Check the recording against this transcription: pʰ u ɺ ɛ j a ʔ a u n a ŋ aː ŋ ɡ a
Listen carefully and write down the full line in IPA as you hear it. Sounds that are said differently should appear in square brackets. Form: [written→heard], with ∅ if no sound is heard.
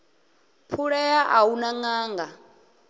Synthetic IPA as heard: pʰ u ɺ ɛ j a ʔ a u n a ŋ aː ŋ ɡ a